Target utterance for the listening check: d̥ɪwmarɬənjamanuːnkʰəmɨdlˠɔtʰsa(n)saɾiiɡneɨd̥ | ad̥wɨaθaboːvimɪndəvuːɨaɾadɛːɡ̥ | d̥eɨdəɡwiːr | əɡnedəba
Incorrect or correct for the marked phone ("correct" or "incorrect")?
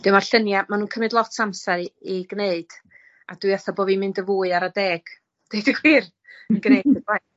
incorrect